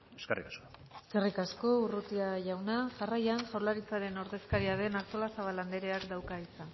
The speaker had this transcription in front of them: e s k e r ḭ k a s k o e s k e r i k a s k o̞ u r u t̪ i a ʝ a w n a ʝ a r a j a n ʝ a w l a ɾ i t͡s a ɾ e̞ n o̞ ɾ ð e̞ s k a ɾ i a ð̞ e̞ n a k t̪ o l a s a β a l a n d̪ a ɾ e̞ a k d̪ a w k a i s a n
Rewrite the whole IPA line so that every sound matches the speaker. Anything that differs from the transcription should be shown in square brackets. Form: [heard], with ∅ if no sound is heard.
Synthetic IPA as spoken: e s k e r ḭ k a s k o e s k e r i k a s k o̞ u r u t̪ i a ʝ a w n a ʝ a r a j a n ʝ a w l a ɾ i t͡s a ɾ e̞ n o̞ ɾ ð e̞ s k a ɾ i a ð̞ e̞ n a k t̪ o l a s a β a l a n d̪ [e] ɾ e̞ a k d̪ a w k a i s a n